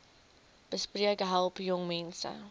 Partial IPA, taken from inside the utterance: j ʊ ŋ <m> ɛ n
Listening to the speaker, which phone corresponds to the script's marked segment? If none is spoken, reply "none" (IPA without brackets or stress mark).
m